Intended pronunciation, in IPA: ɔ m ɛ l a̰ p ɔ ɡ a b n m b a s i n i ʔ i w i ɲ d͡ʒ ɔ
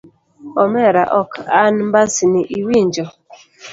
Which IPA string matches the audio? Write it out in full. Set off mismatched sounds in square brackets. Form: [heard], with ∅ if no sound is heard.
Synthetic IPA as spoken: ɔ m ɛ [ɾ] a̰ [ʔ] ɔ [k] a [∅] n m b a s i n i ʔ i w i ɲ d͡ʒ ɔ